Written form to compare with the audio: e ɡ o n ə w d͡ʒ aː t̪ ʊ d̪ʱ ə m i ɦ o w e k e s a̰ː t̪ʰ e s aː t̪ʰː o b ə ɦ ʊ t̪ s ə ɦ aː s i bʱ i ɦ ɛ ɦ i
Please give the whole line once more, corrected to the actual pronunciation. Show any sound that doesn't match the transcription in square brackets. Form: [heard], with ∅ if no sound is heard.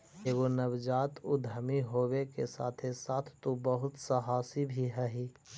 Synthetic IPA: e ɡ o n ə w d͡ʒ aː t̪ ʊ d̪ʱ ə m i ɦ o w e k e s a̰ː t̪ʰ e s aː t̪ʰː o b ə ɦ ʊ t̪ s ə ɦ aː s i bʱ i ɦ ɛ ɦ i

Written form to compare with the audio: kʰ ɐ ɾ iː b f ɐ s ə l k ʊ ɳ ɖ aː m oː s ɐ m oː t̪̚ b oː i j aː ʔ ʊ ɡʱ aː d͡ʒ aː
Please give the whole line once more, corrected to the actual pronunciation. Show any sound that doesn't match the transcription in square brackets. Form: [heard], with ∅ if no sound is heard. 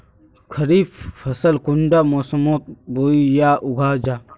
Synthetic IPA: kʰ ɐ ɾ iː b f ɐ s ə l k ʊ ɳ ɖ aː m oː s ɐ m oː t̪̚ b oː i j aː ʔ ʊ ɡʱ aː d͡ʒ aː

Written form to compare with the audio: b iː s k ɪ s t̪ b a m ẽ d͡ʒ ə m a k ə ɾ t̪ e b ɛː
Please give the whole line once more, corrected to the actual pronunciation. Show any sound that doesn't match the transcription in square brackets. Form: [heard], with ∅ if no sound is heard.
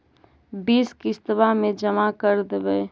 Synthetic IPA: b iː s k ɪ s t̪ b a m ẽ d͡ʒ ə m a k ə ɾ [d̪] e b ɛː

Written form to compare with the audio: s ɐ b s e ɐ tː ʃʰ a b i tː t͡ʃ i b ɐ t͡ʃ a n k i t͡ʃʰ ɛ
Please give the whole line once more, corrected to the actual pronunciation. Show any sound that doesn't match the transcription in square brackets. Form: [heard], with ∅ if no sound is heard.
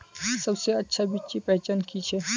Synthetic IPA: s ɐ b s e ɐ tː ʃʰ a b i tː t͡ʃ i [p] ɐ t͡ʃ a n k i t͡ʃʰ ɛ

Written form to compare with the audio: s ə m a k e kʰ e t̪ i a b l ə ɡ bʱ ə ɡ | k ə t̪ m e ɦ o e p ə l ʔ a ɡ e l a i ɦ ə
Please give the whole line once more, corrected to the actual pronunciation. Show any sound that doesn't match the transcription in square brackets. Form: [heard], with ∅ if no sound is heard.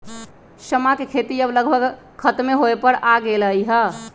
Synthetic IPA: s ə m a k e kʰ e t̪ i [ə] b l ə ɡ bʱ ə ɡ | [kʰ] ə t̪ m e ɦ o e p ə [ɾ] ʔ a ɡ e l [ə] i ɦ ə

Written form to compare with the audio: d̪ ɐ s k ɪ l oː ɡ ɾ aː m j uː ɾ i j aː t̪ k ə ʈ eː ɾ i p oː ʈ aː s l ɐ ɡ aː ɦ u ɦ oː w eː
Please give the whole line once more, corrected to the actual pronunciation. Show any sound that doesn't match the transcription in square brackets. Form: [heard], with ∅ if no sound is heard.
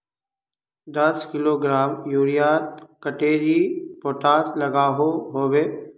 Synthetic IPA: d̪ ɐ s k ɪ l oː ɡ ɾ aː m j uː ɾ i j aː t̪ k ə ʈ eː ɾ i p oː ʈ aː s l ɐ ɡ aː ɦ [o] ɦ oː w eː

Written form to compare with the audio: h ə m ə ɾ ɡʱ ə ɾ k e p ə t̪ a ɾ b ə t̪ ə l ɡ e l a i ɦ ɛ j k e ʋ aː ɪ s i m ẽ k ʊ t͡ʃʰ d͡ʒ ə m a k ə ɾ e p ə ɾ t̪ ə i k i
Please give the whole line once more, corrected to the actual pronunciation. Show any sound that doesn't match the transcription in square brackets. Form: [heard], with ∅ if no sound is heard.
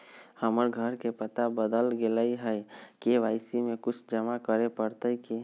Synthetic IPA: h ə m ə ɾ ɡʱ ə ɾ k e p ə t̪ a [∅] b ə [d̪] ə l ɡ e l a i ɦ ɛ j k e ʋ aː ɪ s i m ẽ k ʊ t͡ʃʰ d͡ʒ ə m a k ə ɾ e p ə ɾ t̪ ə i k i

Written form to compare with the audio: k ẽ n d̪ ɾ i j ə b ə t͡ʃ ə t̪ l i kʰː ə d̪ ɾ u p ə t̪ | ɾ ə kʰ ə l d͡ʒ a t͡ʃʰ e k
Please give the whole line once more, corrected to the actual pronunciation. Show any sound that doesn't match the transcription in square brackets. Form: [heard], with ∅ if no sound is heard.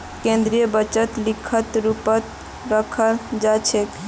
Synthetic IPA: k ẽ n d̪ ɾ i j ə b ə t͡ʃ ə t̪ l i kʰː ə [t̪] ɾ u p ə t̪ | ɾ ə kʰ ə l d͡ʒ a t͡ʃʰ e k

